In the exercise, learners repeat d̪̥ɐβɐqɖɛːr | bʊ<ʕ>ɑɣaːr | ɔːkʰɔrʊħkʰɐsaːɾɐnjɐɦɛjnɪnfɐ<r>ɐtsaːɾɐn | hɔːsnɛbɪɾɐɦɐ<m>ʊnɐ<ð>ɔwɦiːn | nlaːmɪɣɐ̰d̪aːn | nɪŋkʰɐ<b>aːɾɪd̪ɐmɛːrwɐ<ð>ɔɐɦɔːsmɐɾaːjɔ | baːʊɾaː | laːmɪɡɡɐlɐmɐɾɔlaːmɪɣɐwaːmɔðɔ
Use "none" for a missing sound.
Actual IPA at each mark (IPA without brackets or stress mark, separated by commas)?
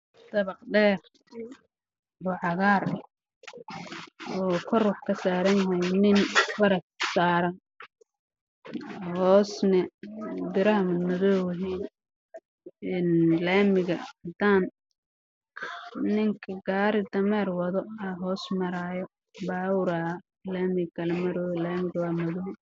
ʕ, ɾ, m, ð, ɡ, ð